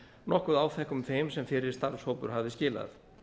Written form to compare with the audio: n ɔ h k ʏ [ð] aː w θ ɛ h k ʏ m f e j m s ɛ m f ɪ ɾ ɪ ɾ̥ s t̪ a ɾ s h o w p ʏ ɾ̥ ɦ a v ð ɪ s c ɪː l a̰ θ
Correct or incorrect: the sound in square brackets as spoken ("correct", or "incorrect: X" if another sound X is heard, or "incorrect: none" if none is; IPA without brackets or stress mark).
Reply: correct